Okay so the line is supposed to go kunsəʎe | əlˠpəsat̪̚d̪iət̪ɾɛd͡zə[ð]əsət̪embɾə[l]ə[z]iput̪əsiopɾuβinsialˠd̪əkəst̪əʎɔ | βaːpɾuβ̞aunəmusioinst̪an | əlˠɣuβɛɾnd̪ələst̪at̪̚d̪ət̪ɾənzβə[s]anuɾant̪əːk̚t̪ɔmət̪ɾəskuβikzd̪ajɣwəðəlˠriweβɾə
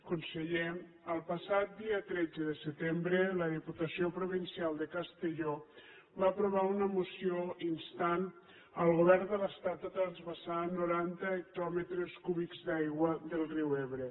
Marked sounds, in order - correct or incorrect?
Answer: correct, correct, incorrect: ð, correct

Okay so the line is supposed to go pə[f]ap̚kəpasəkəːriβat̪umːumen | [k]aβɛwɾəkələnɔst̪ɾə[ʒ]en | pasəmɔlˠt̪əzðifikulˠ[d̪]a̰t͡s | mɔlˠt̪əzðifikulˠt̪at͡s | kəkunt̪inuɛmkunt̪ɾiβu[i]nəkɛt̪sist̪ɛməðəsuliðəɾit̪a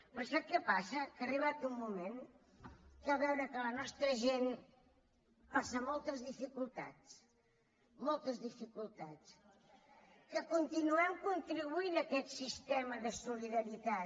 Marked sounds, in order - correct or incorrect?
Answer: incorrect: s, correct, correct, incorrect: t̪, correct

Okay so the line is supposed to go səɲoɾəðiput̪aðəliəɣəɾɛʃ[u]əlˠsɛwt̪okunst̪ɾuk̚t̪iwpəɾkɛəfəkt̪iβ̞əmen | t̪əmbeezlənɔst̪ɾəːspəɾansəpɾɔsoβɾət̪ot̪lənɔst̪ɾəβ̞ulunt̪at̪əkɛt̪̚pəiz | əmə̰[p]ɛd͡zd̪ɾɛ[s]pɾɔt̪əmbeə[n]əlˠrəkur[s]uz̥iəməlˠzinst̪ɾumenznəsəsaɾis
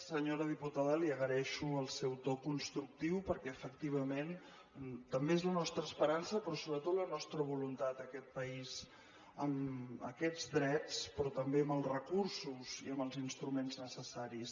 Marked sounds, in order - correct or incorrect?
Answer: correct, incorrect: k, incorrect: t͡s, incorrect: m, correct

